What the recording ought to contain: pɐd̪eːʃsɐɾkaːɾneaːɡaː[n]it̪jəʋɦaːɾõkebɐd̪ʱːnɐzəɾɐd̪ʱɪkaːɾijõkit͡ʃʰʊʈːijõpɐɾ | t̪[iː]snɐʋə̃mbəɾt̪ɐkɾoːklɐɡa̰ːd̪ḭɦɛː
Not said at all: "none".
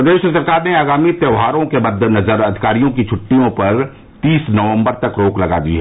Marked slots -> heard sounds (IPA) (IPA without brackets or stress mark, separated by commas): m, iː